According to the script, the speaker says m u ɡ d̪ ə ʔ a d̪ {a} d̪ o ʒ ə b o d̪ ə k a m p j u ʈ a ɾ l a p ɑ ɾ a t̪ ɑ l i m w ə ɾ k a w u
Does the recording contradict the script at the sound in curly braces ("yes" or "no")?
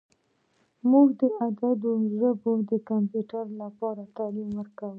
no